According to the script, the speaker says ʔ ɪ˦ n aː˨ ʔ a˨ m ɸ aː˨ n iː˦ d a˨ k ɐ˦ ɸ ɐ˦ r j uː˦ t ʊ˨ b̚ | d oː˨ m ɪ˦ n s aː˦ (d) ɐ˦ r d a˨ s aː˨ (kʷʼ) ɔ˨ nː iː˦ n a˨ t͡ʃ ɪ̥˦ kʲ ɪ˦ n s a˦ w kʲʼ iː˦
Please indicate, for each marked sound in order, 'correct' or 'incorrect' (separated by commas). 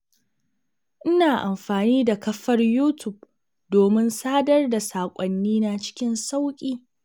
correct, correct